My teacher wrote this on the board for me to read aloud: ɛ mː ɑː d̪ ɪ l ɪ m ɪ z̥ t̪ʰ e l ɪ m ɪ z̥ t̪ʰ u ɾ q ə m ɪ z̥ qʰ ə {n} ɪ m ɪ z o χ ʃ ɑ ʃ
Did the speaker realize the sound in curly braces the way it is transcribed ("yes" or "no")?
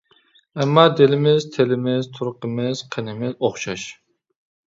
yes